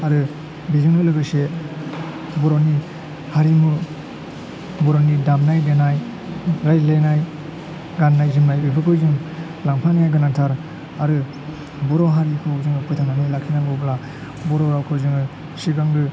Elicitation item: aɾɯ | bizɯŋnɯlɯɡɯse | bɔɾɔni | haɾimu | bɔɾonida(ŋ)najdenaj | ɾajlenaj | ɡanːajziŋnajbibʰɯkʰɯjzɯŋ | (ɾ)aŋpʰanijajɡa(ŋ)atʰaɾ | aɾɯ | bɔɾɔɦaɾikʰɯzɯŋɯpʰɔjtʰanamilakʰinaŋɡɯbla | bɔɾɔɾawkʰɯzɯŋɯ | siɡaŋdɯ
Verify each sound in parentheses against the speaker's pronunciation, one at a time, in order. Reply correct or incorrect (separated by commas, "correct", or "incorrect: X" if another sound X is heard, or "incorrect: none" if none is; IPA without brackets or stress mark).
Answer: incorrect: m, incorrect: l, incorrect: n